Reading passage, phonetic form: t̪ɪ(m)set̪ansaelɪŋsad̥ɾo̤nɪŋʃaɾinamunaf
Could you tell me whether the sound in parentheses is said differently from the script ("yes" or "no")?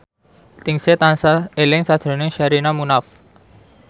yes